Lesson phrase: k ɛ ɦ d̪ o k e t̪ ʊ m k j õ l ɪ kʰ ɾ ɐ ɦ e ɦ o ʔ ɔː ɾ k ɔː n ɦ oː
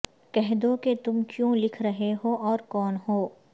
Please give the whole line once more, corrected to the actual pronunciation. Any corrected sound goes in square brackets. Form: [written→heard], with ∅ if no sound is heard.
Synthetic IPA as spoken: k ɛ ɦ d̪ o k e t̪ ʊ m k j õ l ɪ kʰ ɾ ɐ ɦ e ɦ o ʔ ɔː ɾ k ɔː n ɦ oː